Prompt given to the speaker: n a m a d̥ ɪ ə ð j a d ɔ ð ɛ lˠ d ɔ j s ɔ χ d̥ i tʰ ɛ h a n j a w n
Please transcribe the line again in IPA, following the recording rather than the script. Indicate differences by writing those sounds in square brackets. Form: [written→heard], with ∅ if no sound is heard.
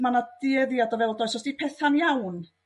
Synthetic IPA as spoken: [n→m] a [m→n] a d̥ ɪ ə ð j a d ɔ [ð→v] ɛ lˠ d ɔ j s ɔ [χ→s] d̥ i [tʰ→pʰ] ɛ [h→θ] a n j a w n